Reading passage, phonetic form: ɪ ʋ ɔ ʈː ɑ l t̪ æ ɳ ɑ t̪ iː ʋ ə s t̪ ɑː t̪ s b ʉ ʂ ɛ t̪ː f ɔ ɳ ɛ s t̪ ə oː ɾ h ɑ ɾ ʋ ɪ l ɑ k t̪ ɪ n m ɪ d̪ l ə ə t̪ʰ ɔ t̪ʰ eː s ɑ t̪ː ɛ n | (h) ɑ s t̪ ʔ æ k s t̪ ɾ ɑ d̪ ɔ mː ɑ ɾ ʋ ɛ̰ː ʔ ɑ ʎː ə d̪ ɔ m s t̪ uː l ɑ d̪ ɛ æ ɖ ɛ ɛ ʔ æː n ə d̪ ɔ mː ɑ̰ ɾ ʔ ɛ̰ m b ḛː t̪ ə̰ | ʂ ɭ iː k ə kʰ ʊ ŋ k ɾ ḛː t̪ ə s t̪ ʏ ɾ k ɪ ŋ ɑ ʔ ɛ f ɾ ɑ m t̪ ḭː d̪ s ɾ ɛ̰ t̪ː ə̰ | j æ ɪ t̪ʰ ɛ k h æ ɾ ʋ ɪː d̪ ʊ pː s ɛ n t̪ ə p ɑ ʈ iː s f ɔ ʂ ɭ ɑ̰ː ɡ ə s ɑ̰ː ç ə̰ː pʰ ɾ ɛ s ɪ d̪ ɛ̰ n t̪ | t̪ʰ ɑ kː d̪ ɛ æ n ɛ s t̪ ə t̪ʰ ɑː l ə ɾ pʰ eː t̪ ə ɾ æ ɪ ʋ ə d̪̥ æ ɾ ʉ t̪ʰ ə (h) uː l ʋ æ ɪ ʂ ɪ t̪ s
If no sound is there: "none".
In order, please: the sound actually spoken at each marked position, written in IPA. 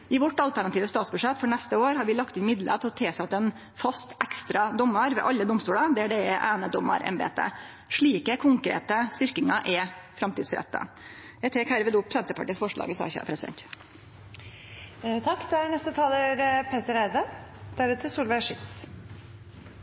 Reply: f, s

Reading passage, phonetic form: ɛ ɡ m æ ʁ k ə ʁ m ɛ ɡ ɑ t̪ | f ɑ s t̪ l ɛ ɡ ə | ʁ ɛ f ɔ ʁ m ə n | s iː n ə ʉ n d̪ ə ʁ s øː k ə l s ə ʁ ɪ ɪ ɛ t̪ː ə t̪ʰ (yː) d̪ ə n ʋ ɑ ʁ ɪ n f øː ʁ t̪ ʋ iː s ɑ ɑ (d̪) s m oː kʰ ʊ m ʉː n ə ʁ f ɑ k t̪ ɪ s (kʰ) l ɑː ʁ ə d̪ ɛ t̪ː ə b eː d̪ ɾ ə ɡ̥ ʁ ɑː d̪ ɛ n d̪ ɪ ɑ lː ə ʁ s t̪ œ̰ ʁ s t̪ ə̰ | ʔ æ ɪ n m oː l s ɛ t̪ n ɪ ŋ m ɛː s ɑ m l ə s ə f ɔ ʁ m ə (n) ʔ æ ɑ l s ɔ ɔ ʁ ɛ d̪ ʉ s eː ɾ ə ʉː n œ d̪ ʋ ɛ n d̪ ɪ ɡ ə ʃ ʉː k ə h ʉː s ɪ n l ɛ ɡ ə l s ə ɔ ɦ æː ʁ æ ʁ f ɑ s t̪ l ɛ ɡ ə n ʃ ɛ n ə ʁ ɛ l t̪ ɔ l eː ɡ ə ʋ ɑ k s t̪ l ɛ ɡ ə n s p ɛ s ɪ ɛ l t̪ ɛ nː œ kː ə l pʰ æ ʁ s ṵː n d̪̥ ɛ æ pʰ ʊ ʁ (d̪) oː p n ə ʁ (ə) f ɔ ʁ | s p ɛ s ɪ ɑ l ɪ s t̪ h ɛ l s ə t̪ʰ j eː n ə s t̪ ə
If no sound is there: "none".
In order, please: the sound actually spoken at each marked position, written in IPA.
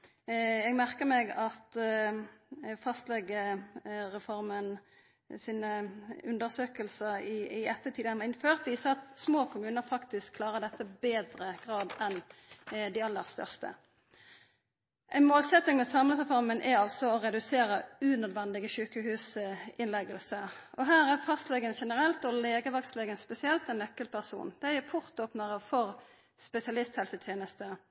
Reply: iː, t̪, kʰ, n, t̪, ə

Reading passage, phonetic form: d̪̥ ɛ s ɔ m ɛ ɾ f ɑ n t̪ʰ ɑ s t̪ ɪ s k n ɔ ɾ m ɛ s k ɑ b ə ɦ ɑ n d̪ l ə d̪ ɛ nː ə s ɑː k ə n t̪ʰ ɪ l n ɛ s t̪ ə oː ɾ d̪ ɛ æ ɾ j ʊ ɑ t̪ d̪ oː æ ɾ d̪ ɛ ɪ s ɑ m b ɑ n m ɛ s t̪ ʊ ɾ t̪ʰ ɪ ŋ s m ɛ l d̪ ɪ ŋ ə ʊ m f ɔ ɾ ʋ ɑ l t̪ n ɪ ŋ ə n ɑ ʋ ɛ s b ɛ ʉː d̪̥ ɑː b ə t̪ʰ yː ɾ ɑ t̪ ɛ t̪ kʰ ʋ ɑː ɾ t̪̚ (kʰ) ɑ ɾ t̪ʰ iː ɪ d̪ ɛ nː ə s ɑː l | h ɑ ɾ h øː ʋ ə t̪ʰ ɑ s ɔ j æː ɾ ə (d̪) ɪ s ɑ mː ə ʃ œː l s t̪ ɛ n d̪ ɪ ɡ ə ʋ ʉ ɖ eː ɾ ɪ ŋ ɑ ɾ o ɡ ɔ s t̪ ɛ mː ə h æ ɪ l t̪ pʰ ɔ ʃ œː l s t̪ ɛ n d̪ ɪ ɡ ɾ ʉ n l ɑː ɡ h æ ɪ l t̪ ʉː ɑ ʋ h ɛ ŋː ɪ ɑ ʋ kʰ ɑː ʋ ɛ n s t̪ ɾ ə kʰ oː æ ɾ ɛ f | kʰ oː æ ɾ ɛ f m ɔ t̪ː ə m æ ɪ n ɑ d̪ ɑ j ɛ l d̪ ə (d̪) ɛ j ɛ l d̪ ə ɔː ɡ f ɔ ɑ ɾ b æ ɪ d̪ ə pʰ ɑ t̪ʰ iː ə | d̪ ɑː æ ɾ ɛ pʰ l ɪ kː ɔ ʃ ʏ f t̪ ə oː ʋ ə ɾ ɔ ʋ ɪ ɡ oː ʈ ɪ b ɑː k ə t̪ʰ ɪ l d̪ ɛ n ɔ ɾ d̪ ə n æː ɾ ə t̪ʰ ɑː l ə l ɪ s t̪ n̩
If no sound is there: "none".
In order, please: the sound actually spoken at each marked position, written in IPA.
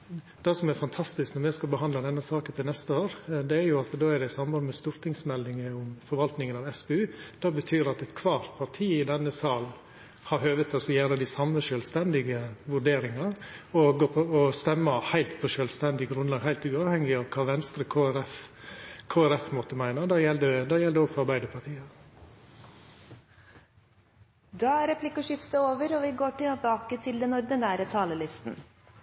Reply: pʰ, d̪, d̪

